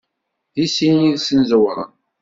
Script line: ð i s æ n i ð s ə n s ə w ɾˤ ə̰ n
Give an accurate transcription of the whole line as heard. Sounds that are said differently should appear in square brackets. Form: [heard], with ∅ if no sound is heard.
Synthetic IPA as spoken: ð i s [i] n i ð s ə n [z] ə w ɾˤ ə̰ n